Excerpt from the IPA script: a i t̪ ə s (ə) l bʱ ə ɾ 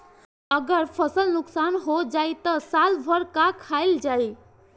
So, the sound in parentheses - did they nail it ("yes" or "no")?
no